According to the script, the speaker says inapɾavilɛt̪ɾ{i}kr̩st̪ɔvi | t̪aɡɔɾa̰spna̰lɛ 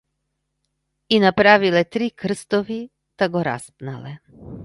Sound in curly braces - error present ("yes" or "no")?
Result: no